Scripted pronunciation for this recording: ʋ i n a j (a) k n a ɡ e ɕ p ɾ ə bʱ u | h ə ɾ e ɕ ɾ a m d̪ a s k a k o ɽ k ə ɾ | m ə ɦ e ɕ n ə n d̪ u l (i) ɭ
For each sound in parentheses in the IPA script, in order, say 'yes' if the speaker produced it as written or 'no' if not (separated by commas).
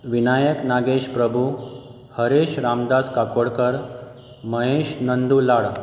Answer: no, no